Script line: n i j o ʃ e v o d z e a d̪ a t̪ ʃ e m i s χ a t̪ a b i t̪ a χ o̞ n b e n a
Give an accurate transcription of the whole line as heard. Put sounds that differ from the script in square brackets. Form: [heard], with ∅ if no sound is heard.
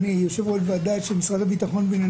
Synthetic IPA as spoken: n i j o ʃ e v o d [v] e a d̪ a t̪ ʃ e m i s [ʁ] a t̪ a b i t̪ a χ o̞ n b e n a